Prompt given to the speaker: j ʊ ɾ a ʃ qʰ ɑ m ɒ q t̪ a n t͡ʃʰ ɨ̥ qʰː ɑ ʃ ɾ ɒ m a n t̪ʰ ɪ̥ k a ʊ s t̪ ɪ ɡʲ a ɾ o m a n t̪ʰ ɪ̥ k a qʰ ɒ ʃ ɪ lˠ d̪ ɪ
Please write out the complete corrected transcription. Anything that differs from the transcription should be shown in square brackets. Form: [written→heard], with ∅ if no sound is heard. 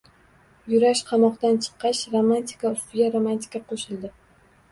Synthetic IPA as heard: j ʊ ɾ a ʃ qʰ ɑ m ɒ q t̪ a n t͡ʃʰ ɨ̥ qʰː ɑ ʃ ɾ [ɒ→o] m a n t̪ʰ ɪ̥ k a ʊ s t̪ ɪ ɡʲ a ɾ o m a n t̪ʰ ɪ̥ k a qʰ [ɒ→o] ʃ ɪ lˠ d̪ ɪ